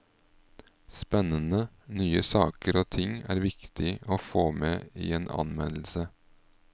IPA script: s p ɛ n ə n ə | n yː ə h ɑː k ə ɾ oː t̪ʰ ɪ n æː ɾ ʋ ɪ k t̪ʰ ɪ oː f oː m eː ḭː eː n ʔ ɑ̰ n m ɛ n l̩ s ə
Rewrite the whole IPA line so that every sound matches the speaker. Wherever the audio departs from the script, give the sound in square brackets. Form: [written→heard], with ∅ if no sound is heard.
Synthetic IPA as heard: s p ɛ n ə n ə | n yː ə [h→s] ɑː k ə ɾ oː t̪ʰ ɪ [n→ŋ] æː ɾ ʋ ɪ k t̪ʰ ɪ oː f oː m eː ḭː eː n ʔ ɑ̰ n m ɛ n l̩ s ə

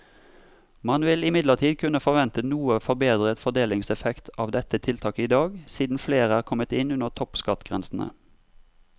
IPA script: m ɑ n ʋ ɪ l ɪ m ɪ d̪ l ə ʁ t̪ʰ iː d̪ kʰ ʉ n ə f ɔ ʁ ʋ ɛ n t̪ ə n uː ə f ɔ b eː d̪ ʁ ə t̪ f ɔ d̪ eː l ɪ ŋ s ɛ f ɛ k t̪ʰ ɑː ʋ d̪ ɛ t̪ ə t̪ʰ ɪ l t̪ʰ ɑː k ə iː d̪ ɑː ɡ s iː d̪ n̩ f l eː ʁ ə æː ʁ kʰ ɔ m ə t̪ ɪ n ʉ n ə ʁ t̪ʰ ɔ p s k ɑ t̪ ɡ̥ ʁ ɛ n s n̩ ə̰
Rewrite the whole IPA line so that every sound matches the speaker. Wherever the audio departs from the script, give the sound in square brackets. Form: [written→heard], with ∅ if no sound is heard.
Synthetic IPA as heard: m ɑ n ʋ ɪ l ɪ m ɪ d̪ l ə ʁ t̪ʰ iː d̪ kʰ ʉ n ə f ɔ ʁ ʋ ɛ n t̪ ə n uː ə f ɔ b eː d̪ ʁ ə t̪ f ɔ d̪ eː l ɪ ŋ s ɛ f ɛ k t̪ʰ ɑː ʋ d̪ ɛ t̪ ə t̪ʰ ɪ l t̪ʰ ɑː k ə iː d̪ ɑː ɡ s iː d̪ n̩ f l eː ʁ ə æː ʁ kʰ ɔ m ə t̪ ɪ n ʉ n ə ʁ t̪ʰ ɔ p s k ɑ t̪ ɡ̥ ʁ ɛ n s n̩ ə̰

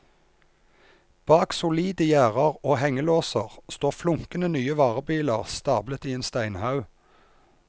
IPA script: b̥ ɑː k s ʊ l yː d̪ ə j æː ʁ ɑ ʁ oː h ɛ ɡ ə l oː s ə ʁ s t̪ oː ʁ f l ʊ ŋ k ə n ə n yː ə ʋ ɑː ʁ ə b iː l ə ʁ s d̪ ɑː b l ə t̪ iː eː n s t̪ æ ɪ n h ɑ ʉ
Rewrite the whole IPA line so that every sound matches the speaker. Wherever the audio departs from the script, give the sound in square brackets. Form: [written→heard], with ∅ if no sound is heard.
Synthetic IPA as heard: b̥ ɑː k s ʊ l [yː→iː] d̪ ə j æː ʁ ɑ ʁ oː h ɛ [ɡ→ŋ] ə l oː s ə ʁ s t̪ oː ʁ f l ʊ ŋ k ə n ə n yː ə ʋ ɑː ʁ ə b iː l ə ʁ s [d̪→t̪] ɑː b l ə t̪ iː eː n s t̪ æ ɪ n h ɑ ʉ

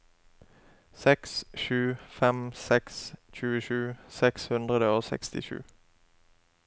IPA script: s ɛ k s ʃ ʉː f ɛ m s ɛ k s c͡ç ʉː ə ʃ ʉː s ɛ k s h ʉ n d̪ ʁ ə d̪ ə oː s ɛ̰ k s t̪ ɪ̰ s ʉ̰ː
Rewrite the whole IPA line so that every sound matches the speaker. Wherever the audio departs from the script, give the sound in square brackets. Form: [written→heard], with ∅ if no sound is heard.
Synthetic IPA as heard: s ɛ k s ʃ ʉː f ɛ m s ɛ k s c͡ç ʉː ə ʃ ʉː s ɛ k s h ʉ n d̪ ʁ ə d̪ ə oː s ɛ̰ k s t̪ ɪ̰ [s→ʃ] ʉ̰ː

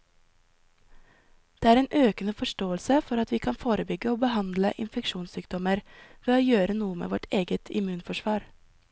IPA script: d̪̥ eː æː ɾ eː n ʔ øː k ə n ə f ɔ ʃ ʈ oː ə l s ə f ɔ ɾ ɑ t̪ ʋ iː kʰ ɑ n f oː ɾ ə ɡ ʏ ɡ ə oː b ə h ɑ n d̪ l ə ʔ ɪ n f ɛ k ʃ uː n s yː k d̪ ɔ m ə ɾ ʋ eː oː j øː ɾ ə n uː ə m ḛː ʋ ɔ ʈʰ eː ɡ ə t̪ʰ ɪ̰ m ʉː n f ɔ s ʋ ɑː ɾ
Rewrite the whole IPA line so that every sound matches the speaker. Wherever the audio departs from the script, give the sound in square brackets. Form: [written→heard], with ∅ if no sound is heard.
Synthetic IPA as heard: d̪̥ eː æː ɾ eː n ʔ øː k ə n ə f ɔ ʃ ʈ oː ə l s ə f ɔ ɾ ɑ t̪ ʋ iː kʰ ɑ n f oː ɾ ə [ɡ→b] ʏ ɡ ə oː b ə h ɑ n d̪ l ə ʔ ɪ n f ɛ k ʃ uː n s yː k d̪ ɔ m ə ɾ ʋ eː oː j øː ɾ ə n uː ə m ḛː ʋ ɔ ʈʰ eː ɡ ə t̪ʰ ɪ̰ m ʉː n f ɔ [s→ʃ] ʋ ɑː ɾ

